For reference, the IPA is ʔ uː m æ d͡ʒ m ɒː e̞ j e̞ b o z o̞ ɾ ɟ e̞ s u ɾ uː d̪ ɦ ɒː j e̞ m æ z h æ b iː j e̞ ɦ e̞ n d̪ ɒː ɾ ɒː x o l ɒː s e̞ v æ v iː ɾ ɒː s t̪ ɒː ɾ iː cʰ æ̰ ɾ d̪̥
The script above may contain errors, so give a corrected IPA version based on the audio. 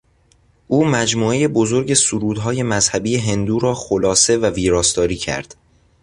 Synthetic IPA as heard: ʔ uː m æ d͡ʒ m uː e̞ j e̞ b o z o̞ ɾ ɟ e̞ s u ɾ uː d̪ ɦ ɒː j e̞ m æ z h æ b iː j e̞ ɦ e̞ n d̪ uː ɾ ɒː x o l ɒː s e̞ v æ v iː ɾ ɒː s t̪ ɒː ɾ iː cʰ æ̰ ɾ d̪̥

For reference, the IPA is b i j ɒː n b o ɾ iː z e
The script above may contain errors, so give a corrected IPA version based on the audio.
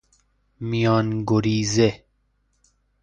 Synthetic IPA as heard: m i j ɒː n ɡ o ɾ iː z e

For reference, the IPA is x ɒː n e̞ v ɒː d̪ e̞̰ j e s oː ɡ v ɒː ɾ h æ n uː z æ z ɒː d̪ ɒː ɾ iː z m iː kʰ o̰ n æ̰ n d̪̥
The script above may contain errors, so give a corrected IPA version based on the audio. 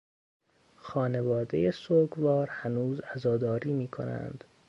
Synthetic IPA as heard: x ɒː n e̞ v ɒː d̪ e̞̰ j e s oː ɡ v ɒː ɾ h æ n uː z æ z ɒː d̪ ɒː ɾ iː m iː kʰ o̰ n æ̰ n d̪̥

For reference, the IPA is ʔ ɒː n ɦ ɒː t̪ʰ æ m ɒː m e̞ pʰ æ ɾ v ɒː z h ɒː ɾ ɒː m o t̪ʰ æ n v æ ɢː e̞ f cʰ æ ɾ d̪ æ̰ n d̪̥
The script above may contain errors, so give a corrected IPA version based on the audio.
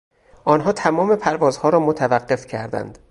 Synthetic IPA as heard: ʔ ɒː n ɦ ɒː t̪ʰ æ m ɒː m e̞ pʰ æ ɾ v ɒː z h ɒː ɾ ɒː m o t̪ʰ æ v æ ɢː e̞ f cʰ æ ɾ d̪ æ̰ n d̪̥

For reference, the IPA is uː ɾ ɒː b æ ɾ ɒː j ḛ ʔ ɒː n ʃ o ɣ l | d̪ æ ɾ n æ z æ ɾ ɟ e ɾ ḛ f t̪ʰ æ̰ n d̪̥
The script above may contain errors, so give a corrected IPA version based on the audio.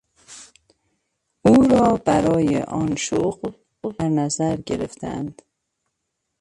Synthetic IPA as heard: uː ɾ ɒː b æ ɾ ɒː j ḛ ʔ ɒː n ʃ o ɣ l | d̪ æ ɾ n æ z æ ɾ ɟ e ɾ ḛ f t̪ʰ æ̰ n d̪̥

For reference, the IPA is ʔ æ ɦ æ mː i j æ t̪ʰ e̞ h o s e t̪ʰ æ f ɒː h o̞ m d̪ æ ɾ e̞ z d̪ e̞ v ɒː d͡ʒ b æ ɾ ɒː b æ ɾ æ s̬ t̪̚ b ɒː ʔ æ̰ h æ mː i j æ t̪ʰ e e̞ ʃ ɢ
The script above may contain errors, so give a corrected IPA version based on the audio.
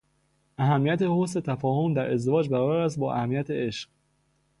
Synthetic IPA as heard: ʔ æ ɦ æ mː i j æ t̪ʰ e̞ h o s e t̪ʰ æ f ɒː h o̞ m d̪ æ ɾ e̞ z d̪ e̞ v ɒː d͡ʒ b æ ɾ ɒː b æ ɾ æ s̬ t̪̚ b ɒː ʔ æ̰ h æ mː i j æ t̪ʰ e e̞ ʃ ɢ

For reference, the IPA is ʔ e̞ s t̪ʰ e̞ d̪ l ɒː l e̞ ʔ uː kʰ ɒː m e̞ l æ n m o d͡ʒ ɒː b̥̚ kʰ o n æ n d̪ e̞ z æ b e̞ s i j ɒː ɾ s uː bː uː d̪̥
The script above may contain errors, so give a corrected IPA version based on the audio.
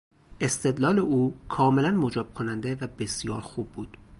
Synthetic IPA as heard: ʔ e̞ s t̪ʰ e̞ d̪ l ɒː l e̞ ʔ uː kʰ ɒː m e̞ l æ n m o d͡ʒ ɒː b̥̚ kʰ o n æ n d̪ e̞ v æ b e̞ s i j ɒː ɾ x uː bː uː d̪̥

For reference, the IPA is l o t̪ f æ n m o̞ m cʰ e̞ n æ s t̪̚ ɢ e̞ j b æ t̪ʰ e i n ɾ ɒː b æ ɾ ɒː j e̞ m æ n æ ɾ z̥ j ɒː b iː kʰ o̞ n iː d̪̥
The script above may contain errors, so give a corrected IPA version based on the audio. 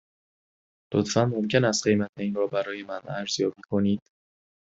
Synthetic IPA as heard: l o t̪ f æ n m o̞ m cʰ e̞ n æ s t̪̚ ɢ e̞ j m æ t̪ʰ e i n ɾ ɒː b æ ɾ ɒː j e̞ m æ n æ ɾ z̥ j ɒː b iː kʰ o̞ n iː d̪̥

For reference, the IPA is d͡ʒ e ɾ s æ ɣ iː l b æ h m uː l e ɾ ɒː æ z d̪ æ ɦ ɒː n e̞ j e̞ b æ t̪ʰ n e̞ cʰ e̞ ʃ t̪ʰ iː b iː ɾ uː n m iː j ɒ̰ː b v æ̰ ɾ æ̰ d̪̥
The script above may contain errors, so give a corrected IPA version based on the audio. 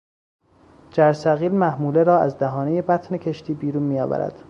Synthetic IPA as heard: d͡ʒ æ ɾ s æ ɣ iː l m æ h m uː l e ɾ ɒː æ z d̪ æ ɦ ɒː n e̞ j e̞ b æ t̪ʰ n e̞ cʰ e̞ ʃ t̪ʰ iː b iː ɾ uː n m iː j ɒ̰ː v æ̰ ɾ æ̰ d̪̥

